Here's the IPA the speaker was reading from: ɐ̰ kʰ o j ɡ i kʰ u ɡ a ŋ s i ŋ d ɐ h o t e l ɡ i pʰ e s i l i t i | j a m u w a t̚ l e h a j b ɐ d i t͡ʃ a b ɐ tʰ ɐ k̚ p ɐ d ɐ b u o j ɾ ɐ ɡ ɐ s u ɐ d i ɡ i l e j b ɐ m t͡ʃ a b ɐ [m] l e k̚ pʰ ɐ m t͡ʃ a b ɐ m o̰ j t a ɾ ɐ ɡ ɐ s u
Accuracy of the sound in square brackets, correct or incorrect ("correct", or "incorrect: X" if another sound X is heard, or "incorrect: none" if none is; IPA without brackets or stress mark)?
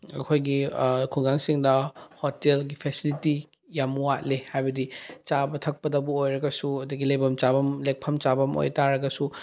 correct